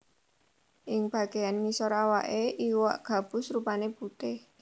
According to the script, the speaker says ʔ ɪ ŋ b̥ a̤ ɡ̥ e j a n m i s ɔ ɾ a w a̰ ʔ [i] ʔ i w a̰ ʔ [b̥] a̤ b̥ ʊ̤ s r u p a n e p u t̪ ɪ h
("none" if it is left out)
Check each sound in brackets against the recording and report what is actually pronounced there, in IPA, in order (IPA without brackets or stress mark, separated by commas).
e, ɡ̥